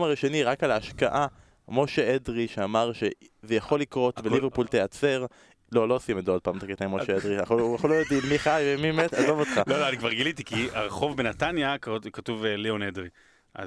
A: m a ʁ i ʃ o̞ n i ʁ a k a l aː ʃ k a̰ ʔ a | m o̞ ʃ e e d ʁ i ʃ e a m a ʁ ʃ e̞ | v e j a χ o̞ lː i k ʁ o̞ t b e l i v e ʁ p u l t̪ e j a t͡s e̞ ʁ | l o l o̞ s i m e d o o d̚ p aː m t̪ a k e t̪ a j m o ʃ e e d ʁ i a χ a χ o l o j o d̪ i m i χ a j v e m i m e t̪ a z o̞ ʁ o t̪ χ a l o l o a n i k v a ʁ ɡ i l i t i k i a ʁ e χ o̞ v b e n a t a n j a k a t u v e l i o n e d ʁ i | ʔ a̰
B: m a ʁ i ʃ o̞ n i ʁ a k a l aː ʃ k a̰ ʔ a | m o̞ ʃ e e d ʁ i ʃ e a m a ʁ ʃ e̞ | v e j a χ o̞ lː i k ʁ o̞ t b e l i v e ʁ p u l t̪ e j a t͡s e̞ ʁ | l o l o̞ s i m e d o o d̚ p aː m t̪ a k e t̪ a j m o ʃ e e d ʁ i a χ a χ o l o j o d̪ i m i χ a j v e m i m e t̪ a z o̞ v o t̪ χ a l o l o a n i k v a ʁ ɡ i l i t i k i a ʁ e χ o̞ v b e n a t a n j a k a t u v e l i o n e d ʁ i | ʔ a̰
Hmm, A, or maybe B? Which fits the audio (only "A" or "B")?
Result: B